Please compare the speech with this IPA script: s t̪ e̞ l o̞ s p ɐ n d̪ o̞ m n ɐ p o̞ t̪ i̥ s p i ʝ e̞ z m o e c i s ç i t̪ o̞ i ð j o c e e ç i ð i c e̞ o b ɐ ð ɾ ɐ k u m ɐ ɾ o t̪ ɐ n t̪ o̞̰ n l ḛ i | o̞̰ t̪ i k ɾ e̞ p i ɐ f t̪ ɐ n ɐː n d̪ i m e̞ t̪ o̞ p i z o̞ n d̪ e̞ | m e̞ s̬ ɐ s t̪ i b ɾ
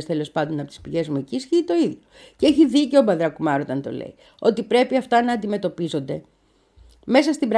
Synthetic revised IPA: s t̪ e̞ l o̞ s p ɐ n d̪ o̞ n ɐ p o̞ t̪ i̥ s p i ʝ e̞ z m u e c i s ç i t̪ o̞ i ð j o c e e ç i ð i c e̞ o b ɐ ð ɾ ɐ k u m ɐ ɾ o t̪ ɐ n t̪ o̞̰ l ḛ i | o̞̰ t̪ i p ɾ e̞ p i ɐ f t̪ ɐ n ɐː n d̪ i m e̞ t̪ o̞ p i z o̞ n d̪ e̞ | m e̞ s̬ ɐ s t̪ i b ɾ